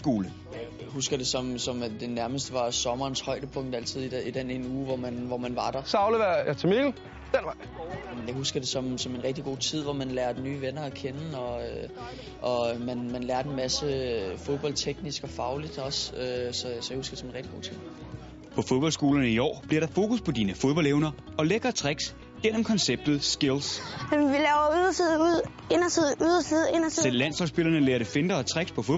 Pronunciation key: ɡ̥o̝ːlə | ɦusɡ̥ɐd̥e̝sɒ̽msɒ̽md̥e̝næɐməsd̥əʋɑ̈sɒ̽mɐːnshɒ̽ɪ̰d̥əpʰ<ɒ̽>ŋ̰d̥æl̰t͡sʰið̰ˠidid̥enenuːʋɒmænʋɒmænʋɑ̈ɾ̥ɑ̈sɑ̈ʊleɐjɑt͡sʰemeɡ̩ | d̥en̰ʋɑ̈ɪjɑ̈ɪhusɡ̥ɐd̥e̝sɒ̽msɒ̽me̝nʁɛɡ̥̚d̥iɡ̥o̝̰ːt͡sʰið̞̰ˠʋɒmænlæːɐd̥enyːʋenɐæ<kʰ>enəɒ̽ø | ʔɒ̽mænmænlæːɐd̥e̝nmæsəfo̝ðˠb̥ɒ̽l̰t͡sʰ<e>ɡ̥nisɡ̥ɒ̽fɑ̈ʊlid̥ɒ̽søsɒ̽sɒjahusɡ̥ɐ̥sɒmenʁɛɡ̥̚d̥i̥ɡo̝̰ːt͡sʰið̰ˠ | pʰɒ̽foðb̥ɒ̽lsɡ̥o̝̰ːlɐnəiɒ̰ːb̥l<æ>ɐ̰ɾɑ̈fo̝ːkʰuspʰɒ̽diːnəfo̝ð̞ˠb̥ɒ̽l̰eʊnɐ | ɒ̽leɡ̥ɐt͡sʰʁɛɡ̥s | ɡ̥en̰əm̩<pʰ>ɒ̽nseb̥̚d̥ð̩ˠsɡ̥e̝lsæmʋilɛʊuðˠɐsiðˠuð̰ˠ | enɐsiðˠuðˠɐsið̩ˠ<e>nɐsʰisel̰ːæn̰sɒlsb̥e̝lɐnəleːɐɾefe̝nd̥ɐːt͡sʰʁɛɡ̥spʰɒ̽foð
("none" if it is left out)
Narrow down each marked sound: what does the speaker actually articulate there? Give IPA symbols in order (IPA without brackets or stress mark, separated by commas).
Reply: ɔ̽, kʰ, e, i, kʰ, e